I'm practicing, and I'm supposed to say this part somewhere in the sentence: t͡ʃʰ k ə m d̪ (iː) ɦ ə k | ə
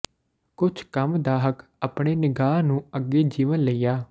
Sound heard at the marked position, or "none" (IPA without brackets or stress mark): aː